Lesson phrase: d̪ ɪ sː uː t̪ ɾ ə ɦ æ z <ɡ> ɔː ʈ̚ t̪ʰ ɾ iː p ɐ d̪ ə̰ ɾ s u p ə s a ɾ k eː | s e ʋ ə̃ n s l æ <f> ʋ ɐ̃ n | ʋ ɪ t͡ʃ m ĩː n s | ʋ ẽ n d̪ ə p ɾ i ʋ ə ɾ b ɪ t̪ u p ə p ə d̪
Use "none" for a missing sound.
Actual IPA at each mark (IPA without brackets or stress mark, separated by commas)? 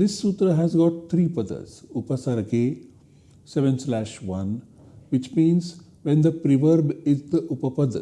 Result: ɡ, ʃ